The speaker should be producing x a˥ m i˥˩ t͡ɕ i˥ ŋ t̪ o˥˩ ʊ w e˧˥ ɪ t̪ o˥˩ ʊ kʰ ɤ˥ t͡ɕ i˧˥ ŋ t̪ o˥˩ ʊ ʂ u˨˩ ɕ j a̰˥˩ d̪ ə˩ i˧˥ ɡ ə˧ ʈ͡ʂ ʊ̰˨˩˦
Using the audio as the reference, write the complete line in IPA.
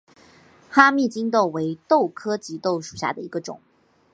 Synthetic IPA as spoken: x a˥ m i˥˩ t͡ɕ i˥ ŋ t̪ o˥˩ ʊ w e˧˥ ɪ t̪ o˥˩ ʊ kʰ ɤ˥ t͡ɕ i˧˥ t̪ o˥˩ ʊ ʂ u˨˩ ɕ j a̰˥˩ d̪ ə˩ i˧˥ ɡ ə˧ ʈ͡ʂ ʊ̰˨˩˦